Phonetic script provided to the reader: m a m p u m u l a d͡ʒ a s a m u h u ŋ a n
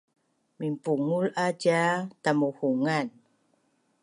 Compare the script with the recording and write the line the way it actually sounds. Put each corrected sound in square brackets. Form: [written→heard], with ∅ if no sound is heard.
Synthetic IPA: m [a→i] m p u [m→ŋ] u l a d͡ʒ a [s→t] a m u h u ŋ a n

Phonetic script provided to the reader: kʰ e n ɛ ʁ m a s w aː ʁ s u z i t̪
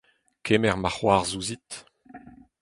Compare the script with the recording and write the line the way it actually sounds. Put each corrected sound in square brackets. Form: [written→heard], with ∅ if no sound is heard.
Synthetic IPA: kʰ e [n→m] ɛ ʁ m a [s→χ] w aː ʁ [s→z] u z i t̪

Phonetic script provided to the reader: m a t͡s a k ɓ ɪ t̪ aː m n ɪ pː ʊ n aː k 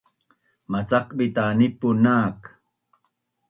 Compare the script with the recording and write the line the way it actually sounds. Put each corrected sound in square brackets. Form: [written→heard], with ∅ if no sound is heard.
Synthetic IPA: m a t͡s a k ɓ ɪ t̪ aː [m→∅] n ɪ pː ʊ n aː k

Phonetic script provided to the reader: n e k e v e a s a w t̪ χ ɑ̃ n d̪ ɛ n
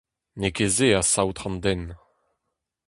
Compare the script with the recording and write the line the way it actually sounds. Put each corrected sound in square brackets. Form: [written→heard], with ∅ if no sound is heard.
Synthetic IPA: n e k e [v→z] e a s a w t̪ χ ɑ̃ n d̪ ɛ n

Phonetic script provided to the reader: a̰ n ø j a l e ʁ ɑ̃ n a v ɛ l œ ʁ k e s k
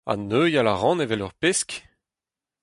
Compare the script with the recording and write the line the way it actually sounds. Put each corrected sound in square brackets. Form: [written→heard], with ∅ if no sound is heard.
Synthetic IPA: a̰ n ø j a l [e→a] ʁ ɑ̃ n [a→e] v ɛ l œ ʁ [k→p] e s k

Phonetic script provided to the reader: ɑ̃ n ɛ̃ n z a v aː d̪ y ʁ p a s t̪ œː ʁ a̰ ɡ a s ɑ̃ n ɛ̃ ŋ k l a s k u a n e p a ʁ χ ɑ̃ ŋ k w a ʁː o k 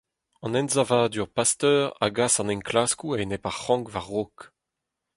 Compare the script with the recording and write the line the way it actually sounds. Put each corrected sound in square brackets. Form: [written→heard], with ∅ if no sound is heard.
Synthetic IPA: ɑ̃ n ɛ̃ n z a v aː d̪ y ʁ p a s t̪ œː ʁ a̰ ɡ a s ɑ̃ n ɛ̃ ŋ k l a s k u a n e p a ʁ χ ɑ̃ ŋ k [w→v] a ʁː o k

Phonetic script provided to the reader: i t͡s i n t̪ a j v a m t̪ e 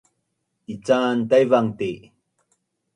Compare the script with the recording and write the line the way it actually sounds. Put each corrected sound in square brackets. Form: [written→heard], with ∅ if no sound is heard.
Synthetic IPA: i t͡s [i→a] n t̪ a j v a [m→ŋ] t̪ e

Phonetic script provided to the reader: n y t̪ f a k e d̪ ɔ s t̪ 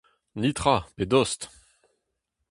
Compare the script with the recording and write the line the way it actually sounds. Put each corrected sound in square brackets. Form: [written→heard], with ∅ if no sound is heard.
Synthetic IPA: n [y→i] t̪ [f→χ] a [k→p] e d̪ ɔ s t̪

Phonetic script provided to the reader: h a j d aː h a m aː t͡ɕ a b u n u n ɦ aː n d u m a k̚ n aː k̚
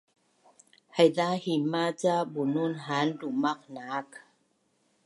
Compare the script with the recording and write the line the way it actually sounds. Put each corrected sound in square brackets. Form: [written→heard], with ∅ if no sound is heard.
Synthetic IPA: h a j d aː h [a→i] m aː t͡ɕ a b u n u n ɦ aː n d u m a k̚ n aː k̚

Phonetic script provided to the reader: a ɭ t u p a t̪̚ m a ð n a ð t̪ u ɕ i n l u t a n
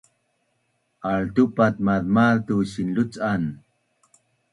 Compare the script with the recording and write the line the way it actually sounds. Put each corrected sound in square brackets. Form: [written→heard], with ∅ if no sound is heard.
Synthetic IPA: a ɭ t u p a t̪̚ m a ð [n→m] a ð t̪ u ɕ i n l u [t→t͡s] a n

